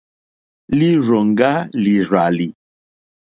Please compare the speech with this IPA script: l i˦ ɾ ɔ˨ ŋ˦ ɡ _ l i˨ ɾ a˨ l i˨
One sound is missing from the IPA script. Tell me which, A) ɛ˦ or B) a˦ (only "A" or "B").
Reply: B